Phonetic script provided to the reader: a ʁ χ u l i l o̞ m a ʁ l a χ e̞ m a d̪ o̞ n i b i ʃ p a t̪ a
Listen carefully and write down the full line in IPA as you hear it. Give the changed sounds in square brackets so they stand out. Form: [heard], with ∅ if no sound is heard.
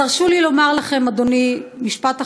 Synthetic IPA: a ʁ [ʃ] u l i l o̞ m a ʁ l a χ e̞ m a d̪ o̞ n i [m] i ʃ p a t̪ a